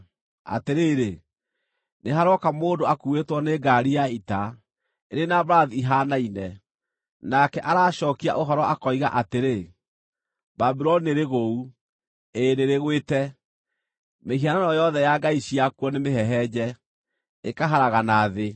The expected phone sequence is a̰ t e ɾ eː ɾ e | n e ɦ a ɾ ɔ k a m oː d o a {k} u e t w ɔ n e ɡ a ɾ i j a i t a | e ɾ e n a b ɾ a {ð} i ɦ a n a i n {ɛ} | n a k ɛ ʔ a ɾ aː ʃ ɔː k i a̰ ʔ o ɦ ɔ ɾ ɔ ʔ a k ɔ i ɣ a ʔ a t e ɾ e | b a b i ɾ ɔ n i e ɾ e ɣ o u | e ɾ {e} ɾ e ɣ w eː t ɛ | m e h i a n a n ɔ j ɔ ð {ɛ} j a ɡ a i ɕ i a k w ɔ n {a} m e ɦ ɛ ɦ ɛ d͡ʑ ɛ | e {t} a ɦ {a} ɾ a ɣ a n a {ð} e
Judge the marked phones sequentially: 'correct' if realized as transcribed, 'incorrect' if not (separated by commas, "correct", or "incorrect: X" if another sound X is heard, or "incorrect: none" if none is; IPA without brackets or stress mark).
correct, correct, correct, correct, correct, incorrect: e, incorrect: k, correct, correct